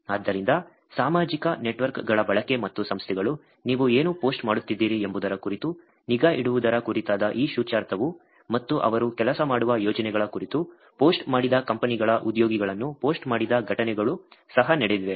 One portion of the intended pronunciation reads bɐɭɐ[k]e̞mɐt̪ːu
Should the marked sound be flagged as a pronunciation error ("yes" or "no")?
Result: no